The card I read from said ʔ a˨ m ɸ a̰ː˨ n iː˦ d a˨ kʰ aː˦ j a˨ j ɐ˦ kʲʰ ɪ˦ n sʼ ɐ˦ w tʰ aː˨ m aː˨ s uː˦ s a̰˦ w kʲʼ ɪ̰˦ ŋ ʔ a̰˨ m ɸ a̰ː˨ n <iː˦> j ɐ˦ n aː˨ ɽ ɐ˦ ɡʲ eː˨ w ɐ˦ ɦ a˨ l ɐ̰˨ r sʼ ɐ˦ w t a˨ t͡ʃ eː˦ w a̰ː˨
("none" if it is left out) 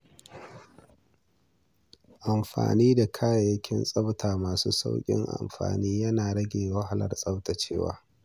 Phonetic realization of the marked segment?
iː˦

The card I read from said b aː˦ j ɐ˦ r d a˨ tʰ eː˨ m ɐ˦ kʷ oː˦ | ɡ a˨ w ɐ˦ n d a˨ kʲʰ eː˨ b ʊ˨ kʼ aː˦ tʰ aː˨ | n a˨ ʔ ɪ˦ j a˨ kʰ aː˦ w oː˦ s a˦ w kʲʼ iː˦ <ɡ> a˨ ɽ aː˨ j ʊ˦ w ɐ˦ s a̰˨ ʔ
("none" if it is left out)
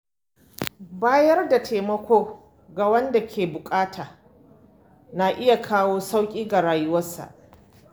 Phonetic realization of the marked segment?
ɡ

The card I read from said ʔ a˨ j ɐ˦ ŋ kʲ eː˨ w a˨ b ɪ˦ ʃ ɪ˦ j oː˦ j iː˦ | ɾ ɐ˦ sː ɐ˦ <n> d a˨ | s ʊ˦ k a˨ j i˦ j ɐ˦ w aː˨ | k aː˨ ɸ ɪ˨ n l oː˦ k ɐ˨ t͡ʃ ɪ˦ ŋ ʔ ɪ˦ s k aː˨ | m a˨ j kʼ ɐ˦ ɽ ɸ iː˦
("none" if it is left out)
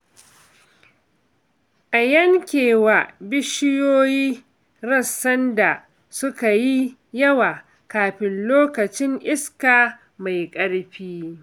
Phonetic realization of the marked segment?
n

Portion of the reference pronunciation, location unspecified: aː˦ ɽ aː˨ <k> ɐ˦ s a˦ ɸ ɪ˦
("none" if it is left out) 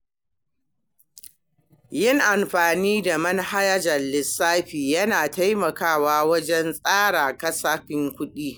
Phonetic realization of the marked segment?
k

